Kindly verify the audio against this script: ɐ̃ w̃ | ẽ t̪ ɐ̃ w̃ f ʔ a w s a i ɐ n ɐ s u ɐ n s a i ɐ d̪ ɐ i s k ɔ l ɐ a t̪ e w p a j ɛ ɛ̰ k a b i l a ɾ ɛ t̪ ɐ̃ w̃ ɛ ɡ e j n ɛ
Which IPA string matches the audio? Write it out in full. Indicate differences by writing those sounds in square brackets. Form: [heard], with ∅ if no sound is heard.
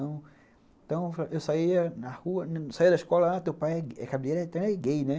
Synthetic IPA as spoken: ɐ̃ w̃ | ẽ t̪ ɐ̃ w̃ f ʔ [e] w s a i ɐ n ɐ [h] u ɐ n s a i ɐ d̪ ɐ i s k ɔ l ɐ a t̪ e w p a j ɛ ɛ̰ k a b i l [e] ɾ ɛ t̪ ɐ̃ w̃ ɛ ɡ e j n ɛ